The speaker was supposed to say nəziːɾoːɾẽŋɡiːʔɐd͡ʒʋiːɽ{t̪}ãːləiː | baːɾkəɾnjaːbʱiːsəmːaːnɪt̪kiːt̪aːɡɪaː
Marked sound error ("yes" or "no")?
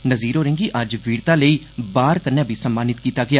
no